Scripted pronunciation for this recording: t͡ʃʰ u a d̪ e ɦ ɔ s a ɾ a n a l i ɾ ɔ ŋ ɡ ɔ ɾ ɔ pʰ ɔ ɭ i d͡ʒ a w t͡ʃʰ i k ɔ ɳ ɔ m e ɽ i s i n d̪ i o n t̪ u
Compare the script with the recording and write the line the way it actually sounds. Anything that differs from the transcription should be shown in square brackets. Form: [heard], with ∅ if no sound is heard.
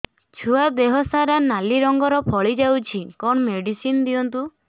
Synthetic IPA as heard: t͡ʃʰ u a d̪ e ɦ ɔ s a ɾ a n a l i ɾ ɔ ŋ ɡ ɔ ɾ ɔ pʰ ɔ ɭ i d͡ʒ a w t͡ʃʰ i k ɔ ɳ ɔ m e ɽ i s i n d̪ i [ɔ] n t̪ u

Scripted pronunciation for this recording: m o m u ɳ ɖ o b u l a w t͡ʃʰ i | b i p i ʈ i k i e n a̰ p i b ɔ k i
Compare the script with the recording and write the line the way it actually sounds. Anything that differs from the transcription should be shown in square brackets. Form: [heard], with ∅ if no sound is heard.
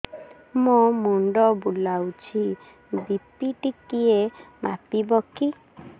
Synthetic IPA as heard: m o m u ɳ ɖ [ɔ] b u l a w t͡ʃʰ i | b i p i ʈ i k i e [m] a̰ p i b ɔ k i

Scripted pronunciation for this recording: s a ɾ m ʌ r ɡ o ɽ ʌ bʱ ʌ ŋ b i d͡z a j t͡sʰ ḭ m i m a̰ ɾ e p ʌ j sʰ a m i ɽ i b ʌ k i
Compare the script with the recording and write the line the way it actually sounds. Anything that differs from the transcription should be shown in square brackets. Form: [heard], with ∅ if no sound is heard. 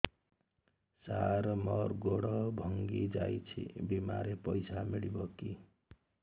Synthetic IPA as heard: s a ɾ m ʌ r ɡ o ɽ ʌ bʱ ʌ ŋ [ɡ] i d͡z a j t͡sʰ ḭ [b] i m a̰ ɾ e p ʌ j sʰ a m i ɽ i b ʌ k i

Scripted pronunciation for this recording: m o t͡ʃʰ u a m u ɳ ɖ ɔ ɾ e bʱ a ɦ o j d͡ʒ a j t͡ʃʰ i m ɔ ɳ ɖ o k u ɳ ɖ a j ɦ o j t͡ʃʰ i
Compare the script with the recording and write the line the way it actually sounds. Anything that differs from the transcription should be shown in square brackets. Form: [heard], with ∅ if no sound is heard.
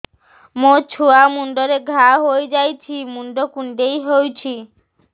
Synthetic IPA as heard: m o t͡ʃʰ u a m u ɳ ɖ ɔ ɾ e [ɡʱ] a ɦ o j d͡ʒ a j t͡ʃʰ i m [u] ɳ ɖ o k u ɳ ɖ [e] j ɦ o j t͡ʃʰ i

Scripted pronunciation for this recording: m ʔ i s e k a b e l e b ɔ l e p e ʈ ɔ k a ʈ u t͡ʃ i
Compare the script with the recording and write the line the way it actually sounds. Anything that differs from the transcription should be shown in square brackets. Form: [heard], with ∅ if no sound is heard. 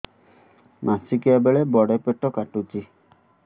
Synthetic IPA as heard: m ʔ [a] s [i] k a b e [ɭ] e b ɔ [ɽ] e p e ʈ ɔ k a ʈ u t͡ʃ i

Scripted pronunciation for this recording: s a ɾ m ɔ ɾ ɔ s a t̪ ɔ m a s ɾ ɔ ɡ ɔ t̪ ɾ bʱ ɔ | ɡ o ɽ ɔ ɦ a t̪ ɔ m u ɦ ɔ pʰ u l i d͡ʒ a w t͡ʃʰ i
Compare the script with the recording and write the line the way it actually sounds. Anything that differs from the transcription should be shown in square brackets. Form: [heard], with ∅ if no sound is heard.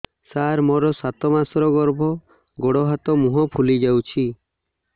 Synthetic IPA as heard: s a ɾ m ɔ ɾ ɔ s a t̪ ɔ m a s ɾ ɔ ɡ ɔ [∅] ɾ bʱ ɔ | ɡ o ɽ ɔ ɦ a t̪ ɔ m u ɦ ɔ pʰ u l i d͡ʒ a w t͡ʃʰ i

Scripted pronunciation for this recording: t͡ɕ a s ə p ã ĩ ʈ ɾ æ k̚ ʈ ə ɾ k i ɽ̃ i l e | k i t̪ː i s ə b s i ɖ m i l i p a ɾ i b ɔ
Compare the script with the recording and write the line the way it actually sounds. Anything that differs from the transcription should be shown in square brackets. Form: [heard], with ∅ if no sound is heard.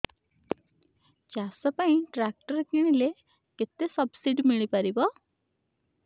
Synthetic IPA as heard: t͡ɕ a s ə p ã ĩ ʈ ɾ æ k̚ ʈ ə ɾ k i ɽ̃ i l e | k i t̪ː [e] s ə b s i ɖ m i [ɭ] i p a ɾ i b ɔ

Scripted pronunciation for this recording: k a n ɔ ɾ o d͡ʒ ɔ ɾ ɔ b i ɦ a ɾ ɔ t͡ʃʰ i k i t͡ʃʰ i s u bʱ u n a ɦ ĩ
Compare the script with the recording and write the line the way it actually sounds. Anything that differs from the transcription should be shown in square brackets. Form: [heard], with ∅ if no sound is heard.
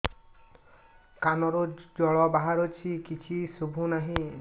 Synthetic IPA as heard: k a n ɔ ɾ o d͡ʒ ɔ [ɭ] ɔ b [a] ɦ a ɾ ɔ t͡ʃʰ i k i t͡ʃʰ i s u bʱ u n a ɦ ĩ

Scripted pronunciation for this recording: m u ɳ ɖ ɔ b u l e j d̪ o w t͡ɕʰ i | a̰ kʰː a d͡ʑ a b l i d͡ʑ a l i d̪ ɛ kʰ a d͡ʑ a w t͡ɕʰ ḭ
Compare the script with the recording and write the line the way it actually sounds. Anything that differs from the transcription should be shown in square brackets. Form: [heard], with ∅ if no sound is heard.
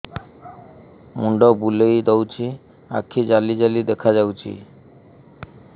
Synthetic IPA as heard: m u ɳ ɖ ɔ b u l e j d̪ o w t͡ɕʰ i | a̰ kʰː [i] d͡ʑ a [∅] l i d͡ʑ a l i d̪ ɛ kʰ a d͡ʑ a w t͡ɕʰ ḭ

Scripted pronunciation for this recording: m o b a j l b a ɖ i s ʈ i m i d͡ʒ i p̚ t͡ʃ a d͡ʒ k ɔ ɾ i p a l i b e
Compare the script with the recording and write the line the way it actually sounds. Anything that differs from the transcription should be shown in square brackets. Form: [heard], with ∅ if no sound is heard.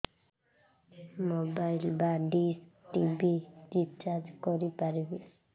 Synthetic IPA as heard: m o b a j l b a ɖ i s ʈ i [b] i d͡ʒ i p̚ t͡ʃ a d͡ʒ k ɔ ɾ i p a [ɾ] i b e

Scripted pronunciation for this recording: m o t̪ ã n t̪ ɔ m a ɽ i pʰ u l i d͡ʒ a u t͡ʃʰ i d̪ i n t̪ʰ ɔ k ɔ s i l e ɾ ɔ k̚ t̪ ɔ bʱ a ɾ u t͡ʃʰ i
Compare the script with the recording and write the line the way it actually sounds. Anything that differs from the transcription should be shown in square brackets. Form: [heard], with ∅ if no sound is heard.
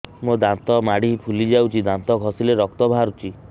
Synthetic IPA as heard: m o [d̪] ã n t̪ ɔ m a ɽ i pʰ u l i d͡ʒ a [w] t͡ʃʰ i d̪ [a] n [t̪] ɔ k ɔ s i l e ɾ ɔ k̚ t̪ ɔ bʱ a ɾ u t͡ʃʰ i

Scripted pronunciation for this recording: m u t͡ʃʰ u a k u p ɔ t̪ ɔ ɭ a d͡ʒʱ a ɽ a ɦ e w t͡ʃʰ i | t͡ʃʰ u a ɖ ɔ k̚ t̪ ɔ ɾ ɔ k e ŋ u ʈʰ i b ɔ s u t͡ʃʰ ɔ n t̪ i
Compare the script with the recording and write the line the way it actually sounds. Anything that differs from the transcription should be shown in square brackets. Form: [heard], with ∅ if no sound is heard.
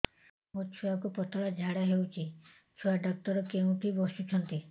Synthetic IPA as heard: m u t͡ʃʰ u a k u p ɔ t̪ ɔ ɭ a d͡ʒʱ a ɽ a ɦ e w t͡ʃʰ i | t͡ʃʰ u a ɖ ɔ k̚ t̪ ɔ ɾ ɔ k e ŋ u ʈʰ i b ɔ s u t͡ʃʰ ɔ n t̪ i

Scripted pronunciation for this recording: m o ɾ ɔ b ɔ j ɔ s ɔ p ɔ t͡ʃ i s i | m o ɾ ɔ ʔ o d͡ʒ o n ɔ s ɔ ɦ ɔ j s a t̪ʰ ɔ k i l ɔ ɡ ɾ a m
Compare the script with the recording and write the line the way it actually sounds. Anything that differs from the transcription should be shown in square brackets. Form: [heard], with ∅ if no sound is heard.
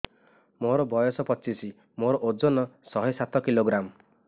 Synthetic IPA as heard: m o ɾ ɔ b ɔ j ɔ s ɔ p ɔ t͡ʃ i s i | m o ɾ ɔ ʔ o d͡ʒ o n ɔ s ɔ ɦ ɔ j s a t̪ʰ ɔ k i l [o] ɡ ɾ a m

